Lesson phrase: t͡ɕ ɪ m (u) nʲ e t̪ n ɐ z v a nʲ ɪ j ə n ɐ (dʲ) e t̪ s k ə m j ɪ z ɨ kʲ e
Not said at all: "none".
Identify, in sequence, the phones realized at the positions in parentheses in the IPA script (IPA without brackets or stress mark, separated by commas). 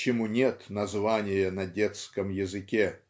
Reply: u, dʲ